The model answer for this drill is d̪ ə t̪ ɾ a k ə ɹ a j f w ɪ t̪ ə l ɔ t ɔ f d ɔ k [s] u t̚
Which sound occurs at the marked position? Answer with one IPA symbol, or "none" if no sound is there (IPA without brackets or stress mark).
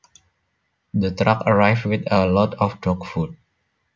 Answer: f